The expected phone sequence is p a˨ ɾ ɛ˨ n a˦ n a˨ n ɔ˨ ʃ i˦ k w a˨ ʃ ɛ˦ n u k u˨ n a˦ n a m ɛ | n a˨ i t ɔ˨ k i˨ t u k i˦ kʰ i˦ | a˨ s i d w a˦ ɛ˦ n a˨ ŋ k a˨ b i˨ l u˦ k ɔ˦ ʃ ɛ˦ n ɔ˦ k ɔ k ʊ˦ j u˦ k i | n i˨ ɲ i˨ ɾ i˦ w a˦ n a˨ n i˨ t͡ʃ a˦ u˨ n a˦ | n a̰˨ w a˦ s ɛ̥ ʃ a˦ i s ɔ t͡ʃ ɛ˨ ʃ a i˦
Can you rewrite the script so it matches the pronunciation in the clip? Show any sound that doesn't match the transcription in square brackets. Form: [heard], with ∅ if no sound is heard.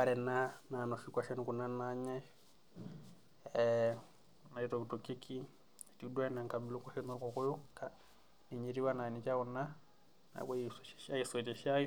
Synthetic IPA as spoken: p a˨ ɾ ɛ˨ n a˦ n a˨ n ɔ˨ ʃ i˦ k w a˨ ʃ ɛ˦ n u k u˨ n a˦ n a [ɲ] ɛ | n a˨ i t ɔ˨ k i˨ t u k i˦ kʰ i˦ | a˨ [t] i d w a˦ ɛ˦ n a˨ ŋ k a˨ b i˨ l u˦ k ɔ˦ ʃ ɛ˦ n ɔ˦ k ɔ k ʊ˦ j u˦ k [a] | n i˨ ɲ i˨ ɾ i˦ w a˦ n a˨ n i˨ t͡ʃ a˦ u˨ n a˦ | n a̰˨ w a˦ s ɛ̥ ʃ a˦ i s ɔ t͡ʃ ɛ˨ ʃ a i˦